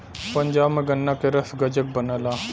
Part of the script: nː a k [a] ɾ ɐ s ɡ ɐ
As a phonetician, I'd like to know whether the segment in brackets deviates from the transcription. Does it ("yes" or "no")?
yes